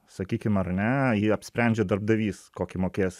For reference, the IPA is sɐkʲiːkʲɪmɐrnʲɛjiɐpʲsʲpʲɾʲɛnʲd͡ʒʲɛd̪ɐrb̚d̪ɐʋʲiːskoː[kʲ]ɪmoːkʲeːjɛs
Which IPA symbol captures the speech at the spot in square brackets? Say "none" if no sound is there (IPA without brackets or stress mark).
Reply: kʲ